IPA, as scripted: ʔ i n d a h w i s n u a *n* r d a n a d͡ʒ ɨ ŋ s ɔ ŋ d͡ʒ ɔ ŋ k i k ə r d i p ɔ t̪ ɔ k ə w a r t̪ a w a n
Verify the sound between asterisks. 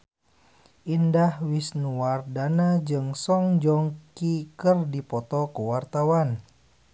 incorrect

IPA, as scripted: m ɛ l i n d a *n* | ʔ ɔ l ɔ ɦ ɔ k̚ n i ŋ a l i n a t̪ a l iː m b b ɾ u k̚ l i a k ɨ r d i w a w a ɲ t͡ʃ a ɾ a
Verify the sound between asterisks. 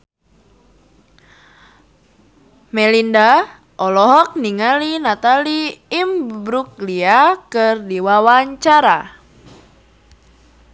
incorrect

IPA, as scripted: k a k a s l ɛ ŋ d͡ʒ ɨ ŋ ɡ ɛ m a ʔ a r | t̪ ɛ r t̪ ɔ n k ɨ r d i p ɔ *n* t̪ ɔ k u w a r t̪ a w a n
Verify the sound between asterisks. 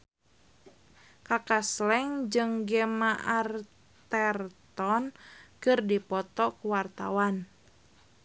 incorrect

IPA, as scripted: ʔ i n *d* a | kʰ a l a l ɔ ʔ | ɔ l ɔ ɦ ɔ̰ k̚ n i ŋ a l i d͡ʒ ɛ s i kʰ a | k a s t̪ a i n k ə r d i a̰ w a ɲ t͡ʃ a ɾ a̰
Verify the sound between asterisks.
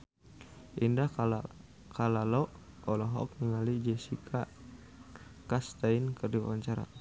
correct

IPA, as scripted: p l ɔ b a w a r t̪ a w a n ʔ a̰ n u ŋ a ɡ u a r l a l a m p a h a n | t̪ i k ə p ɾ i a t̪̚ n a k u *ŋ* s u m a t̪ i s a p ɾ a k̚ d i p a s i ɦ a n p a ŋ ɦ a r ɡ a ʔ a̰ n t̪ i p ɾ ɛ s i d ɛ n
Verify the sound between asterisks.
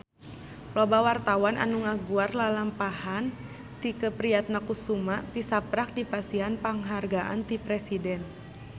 incorrect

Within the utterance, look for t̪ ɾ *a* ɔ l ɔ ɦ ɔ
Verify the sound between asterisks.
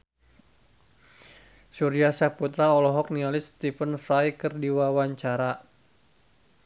correct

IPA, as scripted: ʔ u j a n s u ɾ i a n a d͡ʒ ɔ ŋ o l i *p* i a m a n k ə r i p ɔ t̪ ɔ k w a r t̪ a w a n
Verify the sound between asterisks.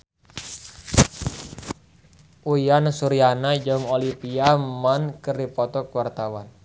correct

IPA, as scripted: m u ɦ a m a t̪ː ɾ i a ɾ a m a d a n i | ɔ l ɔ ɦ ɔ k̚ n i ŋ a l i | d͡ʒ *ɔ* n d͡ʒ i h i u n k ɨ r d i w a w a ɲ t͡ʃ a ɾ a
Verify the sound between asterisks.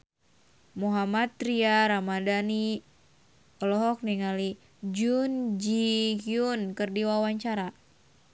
incorrect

